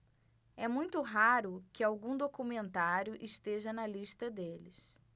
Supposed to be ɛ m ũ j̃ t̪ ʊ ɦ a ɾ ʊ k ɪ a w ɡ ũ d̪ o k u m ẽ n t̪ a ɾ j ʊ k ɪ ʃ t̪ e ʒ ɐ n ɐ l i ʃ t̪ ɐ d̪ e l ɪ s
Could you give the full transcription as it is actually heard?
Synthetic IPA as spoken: ɛ m ũ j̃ t̪ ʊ ɦ a ɾ ʊ k ɪ a w ɡ ũ d̪ o k u m ẽ n t̪ a ɾ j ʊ ʔ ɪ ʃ t̪ e ʒ ɐ n ɐ l i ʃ t̪ ɐ d̪ e l ɪ s